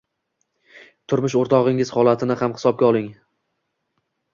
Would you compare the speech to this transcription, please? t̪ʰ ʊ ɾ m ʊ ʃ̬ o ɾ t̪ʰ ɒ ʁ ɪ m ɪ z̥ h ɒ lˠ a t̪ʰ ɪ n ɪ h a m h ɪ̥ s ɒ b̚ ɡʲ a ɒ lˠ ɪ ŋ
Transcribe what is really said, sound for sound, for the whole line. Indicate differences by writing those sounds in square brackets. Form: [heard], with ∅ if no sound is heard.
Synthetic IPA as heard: t̪ʰ ʊ ɾ m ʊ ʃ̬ o ɾ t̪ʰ ɒ ʁ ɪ [ŋ] ɪ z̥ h ɒ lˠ a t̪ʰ ɪ n ɪ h a m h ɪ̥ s ɒ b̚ ɡʲ a ɒ lˠ ɪ ŋ